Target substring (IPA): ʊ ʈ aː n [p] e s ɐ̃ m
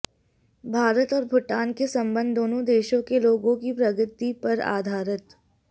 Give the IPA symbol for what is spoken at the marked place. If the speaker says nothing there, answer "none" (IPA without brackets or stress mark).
k